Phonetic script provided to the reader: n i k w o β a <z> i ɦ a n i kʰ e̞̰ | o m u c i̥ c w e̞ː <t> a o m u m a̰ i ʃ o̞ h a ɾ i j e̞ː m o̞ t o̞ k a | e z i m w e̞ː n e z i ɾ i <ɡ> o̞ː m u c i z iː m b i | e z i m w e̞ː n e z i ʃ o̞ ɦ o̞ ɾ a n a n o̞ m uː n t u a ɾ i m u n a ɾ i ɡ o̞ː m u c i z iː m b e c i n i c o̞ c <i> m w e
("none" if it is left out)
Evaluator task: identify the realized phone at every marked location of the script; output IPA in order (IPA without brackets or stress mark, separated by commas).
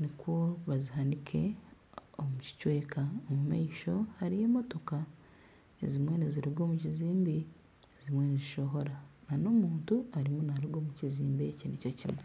z, k, ɡ, i